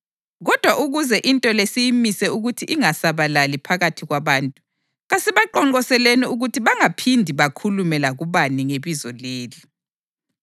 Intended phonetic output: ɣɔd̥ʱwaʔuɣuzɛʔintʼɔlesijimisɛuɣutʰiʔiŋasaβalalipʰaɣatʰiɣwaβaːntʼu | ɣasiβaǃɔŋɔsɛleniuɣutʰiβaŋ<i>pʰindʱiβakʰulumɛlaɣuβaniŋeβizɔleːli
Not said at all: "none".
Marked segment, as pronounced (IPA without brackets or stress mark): a